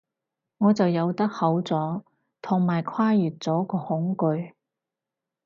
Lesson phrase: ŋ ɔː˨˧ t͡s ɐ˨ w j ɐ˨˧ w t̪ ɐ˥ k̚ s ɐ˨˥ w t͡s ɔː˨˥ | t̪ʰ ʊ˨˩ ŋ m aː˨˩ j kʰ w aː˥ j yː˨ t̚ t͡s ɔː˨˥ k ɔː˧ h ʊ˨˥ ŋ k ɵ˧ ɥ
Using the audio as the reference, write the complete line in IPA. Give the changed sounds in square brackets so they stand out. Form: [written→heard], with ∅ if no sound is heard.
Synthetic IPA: ŋ ɔː˨˧ t͡s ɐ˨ w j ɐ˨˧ w t̪ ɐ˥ k̚ [s→h] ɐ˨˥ w t͡s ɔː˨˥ | t̪ʰ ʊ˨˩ ŋ m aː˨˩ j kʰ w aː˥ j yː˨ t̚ t͡s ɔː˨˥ k ɔː˧ h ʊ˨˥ ŋ k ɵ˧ ɥ

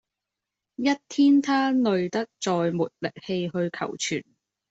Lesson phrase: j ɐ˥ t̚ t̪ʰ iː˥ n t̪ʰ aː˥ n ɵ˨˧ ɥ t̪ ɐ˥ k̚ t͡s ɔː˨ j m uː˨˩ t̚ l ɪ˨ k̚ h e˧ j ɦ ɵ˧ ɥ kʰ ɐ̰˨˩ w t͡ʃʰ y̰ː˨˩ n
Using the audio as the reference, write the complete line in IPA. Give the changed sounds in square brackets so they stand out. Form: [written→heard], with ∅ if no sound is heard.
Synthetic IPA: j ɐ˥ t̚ t̪ʰ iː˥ n t̪ʰ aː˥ n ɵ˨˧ ɥ t̪ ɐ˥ k̚ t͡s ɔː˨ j m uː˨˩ t̚ l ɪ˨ k̚ h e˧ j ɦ ɵ˧ ɥ kʰ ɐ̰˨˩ w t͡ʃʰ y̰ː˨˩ n

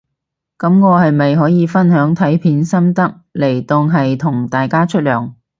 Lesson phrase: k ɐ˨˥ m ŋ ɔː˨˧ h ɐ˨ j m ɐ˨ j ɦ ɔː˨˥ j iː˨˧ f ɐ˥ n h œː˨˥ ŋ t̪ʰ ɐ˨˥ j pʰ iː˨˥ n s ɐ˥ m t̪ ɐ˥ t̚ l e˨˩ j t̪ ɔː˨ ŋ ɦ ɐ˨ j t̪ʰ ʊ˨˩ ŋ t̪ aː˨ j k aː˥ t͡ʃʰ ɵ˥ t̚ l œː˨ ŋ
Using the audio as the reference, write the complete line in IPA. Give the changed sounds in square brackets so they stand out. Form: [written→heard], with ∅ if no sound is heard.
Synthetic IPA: k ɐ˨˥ m ŋ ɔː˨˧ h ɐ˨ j m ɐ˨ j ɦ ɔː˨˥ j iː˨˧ f ɐ˥ n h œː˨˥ ŋ t̪ʰ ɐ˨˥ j pʰ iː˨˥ n s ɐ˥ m t̪ ɐ˥ [t̚→k̚] l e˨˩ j t̪ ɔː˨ ŋ ɦ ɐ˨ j t̪ʰ ʊ˨˩ ŋ t̪ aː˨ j k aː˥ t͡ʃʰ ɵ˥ t̚ l œː˨ ŋ

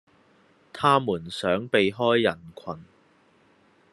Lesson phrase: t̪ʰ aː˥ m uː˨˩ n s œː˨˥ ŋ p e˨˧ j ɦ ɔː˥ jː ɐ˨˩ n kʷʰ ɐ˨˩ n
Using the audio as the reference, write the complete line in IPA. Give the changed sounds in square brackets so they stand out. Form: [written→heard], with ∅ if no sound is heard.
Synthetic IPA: t̪ʰ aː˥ m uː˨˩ n s œː˨˥ ŋ p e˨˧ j ɦ ɔː˥ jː ɐ˨˩ n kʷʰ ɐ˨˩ n

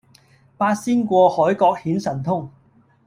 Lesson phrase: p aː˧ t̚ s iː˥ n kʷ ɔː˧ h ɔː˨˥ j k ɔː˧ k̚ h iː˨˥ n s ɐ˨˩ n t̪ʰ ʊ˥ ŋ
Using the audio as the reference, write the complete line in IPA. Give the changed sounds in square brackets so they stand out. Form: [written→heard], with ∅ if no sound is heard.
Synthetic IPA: p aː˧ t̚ s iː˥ n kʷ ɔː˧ h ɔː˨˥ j k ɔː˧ k̚ h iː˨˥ n s ɐ˨˩ n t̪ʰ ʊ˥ ŋ

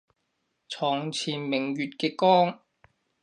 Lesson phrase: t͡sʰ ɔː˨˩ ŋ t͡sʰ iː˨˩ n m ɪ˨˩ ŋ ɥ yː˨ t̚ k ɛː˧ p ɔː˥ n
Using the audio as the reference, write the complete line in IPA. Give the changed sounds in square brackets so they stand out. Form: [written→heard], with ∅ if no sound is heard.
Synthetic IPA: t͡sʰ ɔː˨˩ ŋ t͡sʰ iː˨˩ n m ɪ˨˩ ŋ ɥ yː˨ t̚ k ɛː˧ [p→k] ɔː˥ [n→ŋ]

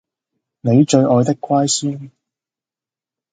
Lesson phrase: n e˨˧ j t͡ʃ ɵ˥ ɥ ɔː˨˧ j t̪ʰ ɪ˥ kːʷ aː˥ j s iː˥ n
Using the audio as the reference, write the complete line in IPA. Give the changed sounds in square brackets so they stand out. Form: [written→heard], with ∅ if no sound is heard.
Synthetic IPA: n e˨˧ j t͡ʃ [ɵ˥→ɵ˧] ɥ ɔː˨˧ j [t̪ʰ→t̪] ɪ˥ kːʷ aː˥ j s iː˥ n

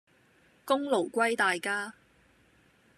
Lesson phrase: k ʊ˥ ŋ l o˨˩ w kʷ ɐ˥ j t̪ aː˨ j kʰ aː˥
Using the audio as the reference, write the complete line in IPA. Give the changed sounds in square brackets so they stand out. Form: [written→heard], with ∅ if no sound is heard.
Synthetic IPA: k ʊ˥ ŋ l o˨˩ w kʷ ɐ˥ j t̪ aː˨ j [kʰ→k] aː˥

